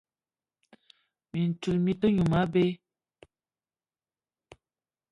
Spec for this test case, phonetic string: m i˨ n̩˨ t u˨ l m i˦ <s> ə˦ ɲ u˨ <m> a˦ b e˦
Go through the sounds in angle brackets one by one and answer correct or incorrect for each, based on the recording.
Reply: incorrect: t, correct

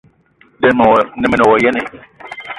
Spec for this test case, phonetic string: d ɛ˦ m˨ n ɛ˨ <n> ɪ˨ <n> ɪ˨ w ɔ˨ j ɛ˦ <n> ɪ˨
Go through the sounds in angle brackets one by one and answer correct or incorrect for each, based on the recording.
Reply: incorrect: m, correct, correct

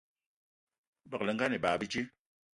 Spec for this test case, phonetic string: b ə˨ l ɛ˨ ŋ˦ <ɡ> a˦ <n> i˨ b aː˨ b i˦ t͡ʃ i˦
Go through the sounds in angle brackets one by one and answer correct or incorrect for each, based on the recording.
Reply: correct, correct

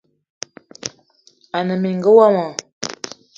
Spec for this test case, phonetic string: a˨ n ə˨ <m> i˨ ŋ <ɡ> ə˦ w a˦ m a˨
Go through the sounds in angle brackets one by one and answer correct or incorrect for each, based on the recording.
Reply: correct, correct

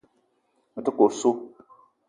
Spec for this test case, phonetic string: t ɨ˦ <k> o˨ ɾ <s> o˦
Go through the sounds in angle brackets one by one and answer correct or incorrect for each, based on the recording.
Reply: correct, correct

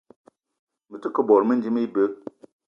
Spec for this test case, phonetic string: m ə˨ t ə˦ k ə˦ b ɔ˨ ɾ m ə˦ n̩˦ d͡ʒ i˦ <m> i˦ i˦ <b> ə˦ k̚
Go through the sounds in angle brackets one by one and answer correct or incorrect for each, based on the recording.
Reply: correct, correct

